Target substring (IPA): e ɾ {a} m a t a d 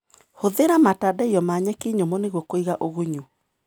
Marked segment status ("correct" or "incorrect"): correct